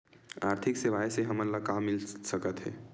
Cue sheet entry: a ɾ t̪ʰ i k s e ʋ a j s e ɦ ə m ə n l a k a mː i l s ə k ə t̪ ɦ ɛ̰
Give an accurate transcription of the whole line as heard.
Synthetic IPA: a ɾ t̪ʰ i k s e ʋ a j s e ɦ ə m ə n l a k a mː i l s ə k ə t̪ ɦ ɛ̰